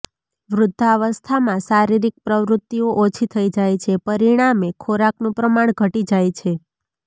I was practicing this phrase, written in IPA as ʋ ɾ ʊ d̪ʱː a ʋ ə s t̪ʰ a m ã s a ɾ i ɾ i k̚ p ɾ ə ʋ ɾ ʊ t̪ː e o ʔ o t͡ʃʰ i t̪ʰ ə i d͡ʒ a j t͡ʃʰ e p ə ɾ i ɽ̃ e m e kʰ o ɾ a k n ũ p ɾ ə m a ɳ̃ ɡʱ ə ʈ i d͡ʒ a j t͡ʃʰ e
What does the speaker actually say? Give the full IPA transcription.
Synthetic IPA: ʋ ɾ ʊ d̪ʱː a ʋ ə s t̪ʰ a m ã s a ɾ i ɾ i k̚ p ɾ ə ʋ ɾ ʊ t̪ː i o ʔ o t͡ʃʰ i t̪ʰ ə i d͡ʒ a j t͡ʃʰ e p ə ɾ i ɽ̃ a m e kʰ o ɾ a k n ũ p ɾ ə m a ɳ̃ ɡʱ ə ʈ i d͡ʒ a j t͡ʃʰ e